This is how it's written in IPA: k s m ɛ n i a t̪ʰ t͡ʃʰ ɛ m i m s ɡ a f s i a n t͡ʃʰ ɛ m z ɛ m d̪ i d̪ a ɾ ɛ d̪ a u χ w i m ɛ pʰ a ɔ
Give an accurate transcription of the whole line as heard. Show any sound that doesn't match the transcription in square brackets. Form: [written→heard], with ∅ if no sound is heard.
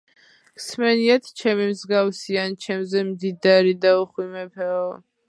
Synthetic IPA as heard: k s m ɛ n i a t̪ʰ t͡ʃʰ ɛ m i m [s→z] ɡ a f s i a n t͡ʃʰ ɛ m z ɛ m d̪ i d̪ a ɾ [ɛ→i] d̪ a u χ w i m ɛ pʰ [a→ɛ] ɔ